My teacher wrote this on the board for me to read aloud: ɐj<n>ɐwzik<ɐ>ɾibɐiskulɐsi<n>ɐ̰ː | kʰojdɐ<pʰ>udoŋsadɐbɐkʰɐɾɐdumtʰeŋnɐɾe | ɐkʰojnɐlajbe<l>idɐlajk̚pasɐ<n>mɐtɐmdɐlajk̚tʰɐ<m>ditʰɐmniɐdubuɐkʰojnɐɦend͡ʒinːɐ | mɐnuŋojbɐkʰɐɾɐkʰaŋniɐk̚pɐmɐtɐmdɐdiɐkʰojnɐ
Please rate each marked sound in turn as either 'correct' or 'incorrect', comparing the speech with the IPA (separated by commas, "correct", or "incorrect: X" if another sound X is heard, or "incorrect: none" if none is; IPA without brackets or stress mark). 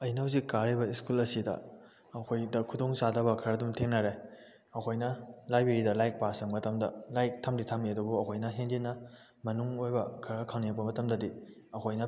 correct, incorrect: a, incorrect: d, incorrect: kʰ, incorrect: ɾ, incorrect: ŋ, correct